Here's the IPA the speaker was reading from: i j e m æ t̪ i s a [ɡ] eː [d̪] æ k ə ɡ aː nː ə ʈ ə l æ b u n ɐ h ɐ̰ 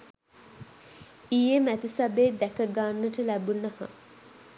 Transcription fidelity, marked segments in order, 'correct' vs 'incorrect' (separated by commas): incorrect, correct